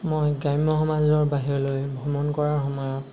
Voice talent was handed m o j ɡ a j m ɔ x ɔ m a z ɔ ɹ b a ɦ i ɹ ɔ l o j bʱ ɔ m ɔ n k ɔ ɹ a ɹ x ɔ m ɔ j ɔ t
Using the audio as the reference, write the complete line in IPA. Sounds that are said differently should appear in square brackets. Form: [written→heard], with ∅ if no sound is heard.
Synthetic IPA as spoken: m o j ɡ a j m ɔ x ɔ m a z ɔ ɹ b a ɦ i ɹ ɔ l o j bʱ ɔ m ɔ n k ɔ ɹ a ɹ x ɔ m ɔ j ɔ t